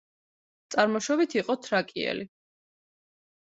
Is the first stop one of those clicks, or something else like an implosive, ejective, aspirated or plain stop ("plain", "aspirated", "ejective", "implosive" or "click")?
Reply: plain